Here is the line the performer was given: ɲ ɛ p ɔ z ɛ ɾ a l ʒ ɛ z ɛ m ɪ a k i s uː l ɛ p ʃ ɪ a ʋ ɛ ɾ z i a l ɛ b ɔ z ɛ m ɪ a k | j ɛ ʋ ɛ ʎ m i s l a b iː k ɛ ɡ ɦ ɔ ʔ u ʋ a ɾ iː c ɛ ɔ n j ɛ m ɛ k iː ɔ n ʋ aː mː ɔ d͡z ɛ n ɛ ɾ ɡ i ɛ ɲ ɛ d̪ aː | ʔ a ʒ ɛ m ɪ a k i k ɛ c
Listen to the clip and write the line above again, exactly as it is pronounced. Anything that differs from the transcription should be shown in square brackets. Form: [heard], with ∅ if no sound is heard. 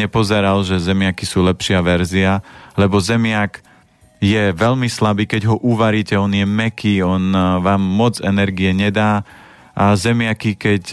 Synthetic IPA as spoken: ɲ ɛ p ɔ z ɛ ɾ a l ʒ ɛ z ɛ m ɪ a k i s uː l ɛ p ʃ ɪ a ʋ ɛ ɾ z i a l ɛ b ɔ z ɛ m ɪ a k | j ɛ ʋ ɛ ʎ m i s l a b iː k ɛ [ɟ] ɦ ɔ ʔ u ʋ a ɾ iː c ɛ ɔ n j ɛ m ɛ k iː ɔ n ʋ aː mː ɔ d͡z ɛ n ɛ ɾ ɡ i ɛ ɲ ɛ d̪ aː | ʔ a [z] ɛ m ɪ a k i k ɛ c